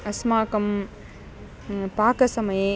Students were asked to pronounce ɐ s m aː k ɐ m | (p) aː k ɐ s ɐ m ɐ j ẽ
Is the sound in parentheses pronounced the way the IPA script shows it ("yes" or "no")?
yes